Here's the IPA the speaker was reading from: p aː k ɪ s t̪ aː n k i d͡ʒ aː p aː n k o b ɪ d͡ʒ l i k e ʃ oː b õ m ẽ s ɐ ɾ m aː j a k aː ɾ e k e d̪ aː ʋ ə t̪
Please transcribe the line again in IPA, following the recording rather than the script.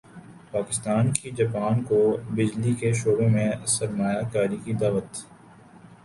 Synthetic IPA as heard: p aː k ɪ s t̪ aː n k i d͡ʒ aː p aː n k o b ɪ d͡ʒ l i k e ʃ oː b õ m ẽ s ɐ ɾ m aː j a k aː ɾ i k i d̪ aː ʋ ə t̪